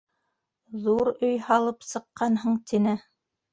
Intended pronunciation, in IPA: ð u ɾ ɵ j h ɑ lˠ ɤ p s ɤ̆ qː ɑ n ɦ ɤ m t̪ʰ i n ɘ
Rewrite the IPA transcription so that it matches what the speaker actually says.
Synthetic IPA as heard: ð u ɾ ɵ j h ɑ lˠ ɤ p s ɤ̆ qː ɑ n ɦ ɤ ɴ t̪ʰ i n ɘ

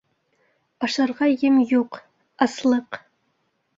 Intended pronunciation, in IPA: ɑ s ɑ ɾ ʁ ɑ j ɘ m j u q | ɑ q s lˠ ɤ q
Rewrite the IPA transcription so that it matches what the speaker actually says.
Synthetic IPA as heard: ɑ ʃ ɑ ɾ ʁ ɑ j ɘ m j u q | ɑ s lˠ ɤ q

